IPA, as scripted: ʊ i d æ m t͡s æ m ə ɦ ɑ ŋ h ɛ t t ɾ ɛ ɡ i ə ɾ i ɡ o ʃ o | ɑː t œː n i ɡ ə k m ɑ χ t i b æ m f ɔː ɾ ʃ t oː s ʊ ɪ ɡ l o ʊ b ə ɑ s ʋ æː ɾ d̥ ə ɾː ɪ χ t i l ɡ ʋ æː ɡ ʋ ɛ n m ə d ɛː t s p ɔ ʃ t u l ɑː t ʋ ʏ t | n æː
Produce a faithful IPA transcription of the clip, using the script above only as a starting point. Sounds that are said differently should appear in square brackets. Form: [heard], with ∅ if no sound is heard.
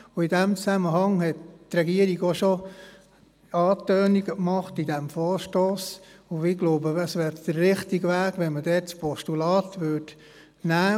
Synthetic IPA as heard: ʊ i d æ m t͡s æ m ə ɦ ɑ ŋ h ɛ t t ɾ ɛ ɡ i ə ɾ i ɡ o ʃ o | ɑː t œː n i ɡ ə k m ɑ χ t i [d] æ m f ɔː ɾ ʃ t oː s ʊ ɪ ɡ l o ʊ b ə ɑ s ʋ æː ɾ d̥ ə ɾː ɪ χ t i [∅] ɡ ʋ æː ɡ ʋ ɛ n m ə d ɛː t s p ɔ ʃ t u l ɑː t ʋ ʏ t | n æː